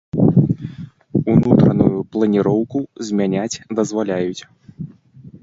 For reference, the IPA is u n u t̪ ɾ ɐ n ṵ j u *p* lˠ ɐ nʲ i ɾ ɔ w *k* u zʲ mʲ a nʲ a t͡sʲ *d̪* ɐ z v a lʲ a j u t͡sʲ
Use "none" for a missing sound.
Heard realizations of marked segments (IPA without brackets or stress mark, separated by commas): p, k, d̪